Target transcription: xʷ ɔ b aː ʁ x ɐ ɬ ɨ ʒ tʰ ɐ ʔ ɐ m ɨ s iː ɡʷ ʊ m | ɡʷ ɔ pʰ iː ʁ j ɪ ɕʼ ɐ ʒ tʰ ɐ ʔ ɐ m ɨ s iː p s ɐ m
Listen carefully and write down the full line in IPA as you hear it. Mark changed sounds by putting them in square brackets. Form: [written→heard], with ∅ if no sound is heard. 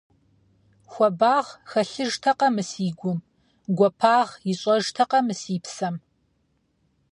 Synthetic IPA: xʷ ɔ b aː ʁ x ɐ ɬ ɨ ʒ tʰ ɐ [ʔ→q] ɐ m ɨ s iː ɡʷ ʊ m | ɡʷ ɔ pʰ [iː→aː] ʁ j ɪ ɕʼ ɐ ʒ tʰ ɐ [ʔ→q] ɐ m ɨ s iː p s ɐ m